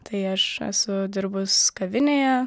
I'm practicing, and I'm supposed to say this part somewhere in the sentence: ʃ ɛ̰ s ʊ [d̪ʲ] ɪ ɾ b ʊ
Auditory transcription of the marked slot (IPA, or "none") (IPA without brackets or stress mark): d̪ʲ